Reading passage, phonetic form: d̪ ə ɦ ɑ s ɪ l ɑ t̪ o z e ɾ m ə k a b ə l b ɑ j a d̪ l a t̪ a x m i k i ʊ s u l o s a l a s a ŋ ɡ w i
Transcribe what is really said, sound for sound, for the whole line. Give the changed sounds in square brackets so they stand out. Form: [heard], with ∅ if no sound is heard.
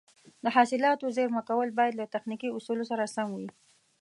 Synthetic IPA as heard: d̪ ə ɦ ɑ s ɪ l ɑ t̪ o z e ɾ m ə k a [w] ə l b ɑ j a d̪ l a t̪ a x [n] i k i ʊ s u l o s a [ɾ] a s a ŋ ɡ w i